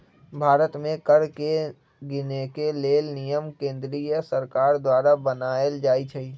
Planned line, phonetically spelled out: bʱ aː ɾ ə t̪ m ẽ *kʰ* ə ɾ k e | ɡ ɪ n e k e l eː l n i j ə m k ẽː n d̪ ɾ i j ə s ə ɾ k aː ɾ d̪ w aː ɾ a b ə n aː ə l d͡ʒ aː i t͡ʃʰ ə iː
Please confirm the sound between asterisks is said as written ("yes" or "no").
no